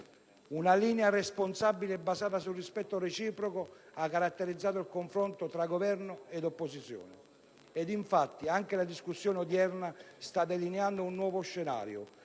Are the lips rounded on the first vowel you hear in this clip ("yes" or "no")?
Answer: yes